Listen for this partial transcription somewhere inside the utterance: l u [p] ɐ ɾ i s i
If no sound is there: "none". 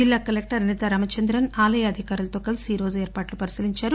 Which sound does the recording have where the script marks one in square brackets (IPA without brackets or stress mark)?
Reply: p